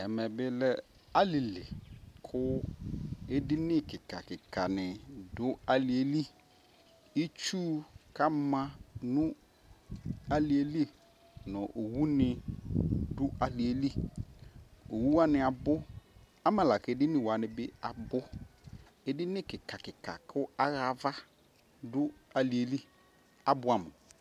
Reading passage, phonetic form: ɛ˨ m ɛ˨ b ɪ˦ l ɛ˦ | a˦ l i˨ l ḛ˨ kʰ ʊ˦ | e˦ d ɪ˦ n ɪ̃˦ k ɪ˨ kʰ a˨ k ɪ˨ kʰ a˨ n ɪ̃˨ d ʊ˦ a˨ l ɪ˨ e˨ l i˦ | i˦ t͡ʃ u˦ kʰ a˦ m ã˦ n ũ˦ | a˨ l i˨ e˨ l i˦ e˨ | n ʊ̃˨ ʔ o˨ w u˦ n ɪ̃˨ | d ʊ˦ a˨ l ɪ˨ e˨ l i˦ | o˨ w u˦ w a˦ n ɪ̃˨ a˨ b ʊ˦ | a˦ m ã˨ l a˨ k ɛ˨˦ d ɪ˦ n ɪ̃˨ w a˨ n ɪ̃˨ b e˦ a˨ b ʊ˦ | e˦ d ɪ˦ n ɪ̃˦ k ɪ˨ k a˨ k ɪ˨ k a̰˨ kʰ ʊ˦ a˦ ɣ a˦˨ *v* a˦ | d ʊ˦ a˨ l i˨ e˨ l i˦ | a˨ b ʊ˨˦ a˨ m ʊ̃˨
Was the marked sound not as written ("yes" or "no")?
no